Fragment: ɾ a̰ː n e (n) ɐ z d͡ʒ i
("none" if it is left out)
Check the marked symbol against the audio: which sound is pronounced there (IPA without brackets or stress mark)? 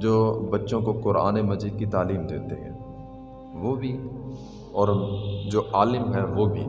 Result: m